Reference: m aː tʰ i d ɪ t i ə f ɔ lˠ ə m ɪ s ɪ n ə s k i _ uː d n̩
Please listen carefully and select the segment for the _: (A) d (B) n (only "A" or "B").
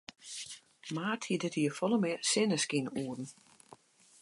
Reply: B